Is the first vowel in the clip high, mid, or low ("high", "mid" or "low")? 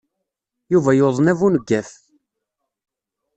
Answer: high